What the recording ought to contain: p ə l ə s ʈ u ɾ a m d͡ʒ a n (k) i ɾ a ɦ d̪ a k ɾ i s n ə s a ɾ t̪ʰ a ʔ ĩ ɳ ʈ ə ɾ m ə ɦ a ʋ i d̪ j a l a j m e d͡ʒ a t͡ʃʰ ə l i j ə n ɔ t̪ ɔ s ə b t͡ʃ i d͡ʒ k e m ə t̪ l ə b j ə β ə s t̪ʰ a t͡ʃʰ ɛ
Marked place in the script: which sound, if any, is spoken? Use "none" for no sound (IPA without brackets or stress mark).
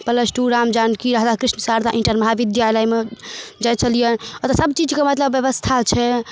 k